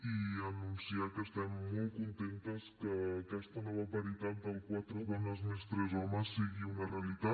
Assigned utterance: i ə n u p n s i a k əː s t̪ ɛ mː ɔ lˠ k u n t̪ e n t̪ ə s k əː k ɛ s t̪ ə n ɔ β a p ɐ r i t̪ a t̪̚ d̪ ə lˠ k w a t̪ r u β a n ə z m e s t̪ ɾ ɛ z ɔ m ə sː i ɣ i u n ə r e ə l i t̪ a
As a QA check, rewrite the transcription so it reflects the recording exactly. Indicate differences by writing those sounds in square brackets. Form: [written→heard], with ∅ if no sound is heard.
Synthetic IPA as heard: i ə n u [p→∅] n s i a k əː s t̪ ɛ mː ɔ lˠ k u n t̪ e n t̪ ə s k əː k ɛ s t̪ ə n ɔ β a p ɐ [r→ɾ] i t̪ a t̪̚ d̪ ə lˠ k w a t̪ [r→ɾ] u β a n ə z m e s t̪ ɾ ɛ z ɔ m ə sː i ɣ i u n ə r e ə l i t̪ a